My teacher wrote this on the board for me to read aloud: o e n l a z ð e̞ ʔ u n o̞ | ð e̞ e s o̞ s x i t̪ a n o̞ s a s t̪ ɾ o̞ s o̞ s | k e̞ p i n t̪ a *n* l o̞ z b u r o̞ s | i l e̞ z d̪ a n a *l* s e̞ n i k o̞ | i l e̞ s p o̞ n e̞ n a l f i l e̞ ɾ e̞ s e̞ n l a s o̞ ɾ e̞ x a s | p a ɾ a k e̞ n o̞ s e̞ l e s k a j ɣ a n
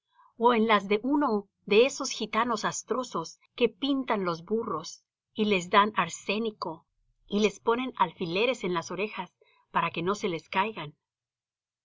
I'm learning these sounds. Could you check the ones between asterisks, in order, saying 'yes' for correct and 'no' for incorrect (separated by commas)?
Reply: yes, no